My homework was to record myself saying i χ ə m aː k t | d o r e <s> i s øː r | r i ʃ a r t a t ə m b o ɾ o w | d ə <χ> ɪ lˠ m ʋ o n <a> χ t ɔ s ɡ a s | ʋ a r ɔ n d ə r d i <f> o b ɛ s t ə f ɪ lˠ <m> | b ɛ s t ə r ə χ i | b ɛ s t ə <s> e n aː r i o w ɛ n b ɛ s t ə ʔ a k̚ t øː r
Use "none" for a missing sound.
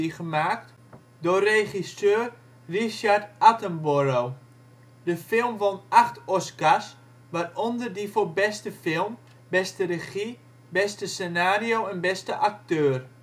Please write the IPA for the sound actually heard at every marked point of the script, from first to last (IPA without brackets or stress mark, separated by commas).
χ, f, a, f, m, s